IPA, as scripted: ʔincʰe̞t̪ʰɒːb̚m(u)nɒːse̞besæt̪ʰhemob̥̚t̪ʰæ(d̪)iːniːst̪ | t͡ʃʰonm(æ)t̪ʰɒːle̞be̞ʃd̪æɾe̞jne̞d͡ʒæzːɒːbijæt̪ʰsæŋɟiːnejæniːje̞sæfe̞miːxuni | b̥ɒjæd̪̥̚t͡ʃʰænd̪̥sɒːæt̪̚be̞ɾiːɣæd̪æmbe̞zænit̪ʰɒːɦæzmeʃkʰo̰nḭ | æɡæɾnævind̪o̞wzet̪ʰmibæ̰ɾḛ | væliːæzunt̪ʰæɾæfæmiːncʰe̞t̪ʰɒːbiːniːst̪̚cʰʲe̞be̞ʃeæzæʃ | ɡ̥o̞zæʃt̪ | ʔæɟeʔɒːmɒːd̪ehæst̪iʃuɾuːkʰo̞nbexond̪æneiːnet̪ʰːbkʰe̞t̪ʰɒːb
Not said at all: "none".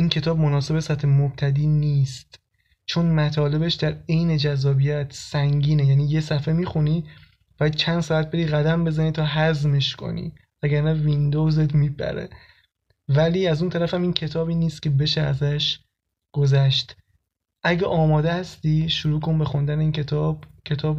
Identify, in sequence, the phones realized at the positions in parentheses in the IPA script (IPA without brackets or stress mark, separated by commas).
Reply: o, d̪, æ